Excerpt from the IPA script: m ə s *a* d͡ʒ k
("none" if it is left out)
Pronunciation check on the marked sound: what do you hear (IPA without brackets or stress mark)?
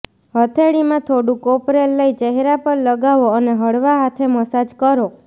a